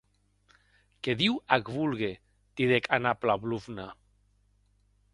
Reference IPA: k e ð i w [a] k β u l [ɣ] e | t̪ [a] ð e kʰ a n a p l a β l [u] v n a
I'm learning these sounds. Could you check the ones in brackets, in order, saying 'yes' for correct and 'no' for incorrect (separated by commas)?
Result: yes, yes, no, yes